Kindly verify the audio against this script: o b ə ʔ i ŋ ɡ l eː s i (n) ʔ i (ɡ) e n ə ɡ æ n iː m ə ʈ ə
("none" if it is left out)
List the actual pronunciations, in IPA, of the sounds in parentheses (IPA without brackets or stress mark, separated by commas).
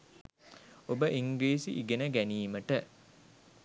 none, ɡ